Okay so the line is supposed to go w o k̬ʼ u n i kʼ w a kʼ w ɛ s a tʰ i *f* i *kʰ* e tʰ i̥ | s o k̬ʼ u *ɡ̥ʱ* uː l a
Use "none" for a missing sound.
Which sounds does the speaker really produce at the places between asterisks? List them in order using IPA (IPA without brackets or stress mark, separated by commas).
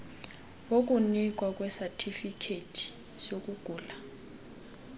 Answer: f, kʰ, ɡ̥ʱ